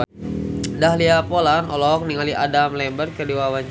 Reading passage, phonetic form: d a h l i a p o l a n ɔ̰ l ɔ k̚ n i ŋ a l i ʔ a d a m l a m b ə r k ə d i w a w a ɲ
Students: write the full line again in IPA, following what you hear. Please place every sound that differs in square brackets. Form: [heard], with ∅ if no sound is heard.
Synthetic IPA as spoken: d a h l i a p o l a n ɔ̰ l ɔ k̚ n i ŋ a l i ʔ a d a m l [ɛ] m b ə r k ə d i w a w a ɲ